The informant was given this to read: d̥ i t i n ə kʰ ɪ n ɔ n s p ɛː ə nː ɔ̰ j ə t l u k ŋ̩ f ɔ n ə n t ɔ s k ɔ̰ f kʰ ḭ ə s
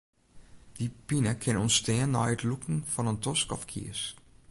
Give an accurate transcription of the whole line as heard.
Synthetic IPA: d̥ i p i n ə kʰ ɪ n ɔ n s t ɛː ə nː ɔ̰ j ə t l u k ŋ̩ f ɔ n ə n t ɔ s k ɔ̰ f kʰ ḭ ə s

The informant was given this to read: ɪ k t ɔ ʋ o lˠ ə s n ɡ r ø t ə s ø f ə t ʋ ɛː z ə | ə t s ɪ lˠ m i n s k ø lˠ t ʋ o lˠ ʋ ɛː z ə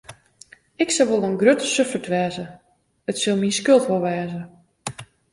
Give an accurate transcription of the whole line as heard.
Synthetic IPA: ɪ k s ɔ ʋ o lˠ ə n ɡ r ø t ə s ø f ə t ʋ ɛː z ə | ə t s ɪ lˠ m i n s k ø lˠ t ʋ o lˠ ʋ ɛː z ə

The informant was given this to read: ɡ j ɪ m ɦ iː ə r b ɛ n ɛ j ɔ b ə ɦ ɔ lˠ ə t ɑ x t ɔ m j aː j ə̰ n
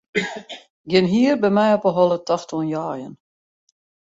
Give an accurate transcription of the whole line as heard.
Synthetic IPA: ɡ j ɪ n ɦ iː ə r b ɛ m ɛ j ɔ p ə ɦ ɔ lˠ ə t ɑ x t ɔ n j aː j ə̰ n

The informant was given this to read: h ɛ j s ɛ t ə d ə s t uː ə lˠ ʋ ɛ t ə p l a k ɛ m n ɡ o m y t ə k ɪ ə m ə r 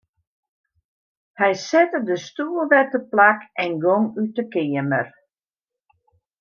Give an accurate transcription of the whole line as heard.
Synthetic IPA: h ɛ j s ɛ t ə d ə s t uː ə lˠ ʋ ɛ t ə p l a k ɛ n ɡ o ŋ y t ə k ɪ ə m ə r

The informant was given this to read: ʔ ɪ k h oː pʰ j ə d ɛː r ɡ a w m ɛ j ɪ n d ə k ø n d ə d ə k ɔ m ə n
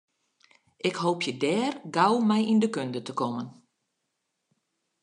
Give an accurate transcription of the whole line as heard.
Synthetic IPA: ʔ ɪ k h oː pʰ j ə d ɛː r ɡ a w m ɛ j i n d ə k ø n d ə t ə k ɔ m ə n

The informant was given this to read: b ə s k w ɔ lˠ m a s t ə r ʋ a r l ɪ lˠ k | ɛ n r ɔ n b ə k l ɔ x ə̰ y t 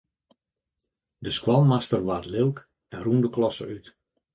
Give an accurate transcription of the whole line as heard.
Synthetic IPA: d ə s k w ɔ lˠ m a s t ə r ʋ a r l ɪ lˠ k | ɛ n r u n d ə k l ɔ s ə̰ y t

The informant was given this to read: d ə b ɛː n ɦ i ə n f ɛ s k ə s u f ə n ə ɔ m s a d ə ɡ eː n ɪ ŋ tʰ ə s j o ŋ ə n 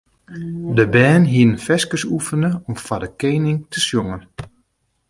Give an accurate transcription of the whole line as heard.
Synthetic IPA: d ə b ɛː n ɦ i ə n f ɛ s k ə s u f ə n ə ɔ m f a d ə k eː n ɪ ŋ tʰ ə s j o ŋ ə n

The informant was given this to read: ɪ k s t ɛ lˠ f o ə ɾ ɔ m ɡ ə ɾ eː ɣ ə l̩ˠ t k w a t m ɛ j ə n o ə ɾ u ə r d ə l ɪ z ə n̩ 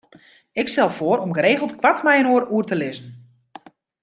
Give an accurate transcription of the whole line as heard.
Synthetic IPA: ɪ k s t ɛ lˠ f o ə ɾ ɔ m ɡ ə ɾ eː ɣ ə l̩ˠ t k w a t m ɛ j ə n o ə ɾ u ə r t ə l ɪ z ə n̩

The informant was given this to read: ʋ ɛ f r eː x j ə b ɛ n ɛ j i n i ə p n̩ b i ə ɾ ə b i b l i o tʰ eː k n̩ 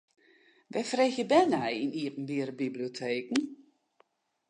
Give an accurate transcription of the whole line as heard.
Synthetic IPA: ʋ ɛ f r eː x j ə b ɛ n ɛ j i n i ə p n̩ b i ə ɾ ə b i b l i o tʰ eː k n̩

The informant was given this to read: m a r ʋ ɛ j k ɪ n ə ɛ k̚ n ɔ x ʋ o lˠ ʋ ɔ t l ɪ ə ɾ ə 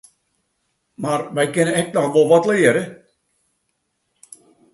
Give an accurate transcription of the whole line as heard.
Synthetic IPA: m a r ʋ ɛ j k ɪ n ə ɛ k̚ n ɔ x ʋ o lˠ ʋ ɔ t l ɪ ə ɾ ə

